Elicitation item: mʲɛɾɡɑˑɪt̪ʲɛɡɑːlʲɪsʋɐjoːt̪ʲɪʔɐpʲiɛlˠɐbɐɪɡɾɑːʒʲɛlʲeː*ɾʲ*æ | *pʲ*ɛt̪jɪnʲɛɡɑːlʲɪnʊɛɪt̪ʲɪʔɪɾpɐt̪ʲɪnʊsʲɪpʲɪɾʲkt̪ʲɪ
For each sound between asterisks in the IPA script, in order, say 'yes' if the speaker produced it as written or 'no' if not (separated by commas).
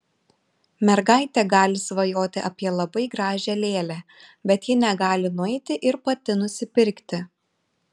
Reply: no, no